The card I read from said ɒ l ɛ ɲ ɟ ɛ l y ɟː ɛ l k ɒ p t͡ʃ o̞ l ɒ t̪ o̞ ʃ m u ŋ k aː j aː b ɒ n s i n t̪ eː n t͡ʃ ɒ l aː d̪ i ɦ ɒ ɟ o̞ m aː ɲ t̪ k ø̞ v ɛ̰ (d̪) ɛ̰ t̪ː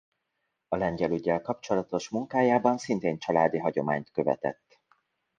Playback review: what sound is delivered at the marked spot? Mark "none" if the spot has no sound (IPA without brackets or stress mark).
t̪